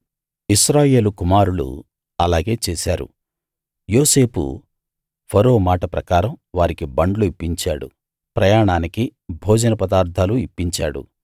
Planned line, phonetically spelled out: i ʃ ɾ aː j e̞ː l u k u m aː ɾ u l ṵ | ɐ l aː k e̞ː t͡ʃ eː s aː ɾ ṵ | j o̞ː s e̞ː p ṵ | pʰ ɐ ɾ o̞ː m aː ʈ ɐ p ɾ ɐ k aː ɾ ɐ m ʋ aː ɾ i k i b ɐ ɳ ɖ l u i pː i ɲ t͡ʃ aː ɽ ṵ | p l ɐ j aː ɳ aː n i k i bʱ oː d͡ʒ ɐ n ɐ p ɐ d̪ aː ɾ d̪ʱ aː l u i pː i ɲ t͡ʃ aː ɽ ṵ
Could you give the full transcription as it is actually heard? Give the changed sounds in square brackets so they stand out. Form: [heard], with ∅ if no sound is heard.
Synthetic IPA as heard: i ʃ ɾ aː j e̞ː l u k u m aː ɾ u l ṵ | ɐ l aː [ɡ] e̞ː t͡ʃ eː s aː ɾ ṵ | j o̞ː s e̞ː p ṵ | pʰ ɐ ɾ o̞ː m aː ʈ ɐ p ɾ ɐ k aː ɾ ɐ m ʋ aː ɾ i k i b ɐ ɳ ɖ l u i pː i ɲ t͡ʃ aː ɽ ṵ | p [ɾ] ɐ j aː ɳ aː n i k i bʱ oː d͡ʒ ɐ n ɐ p ɐ d̪ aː ɾ d̪ʱ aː l u i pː i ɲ t͡ʃ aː ɽ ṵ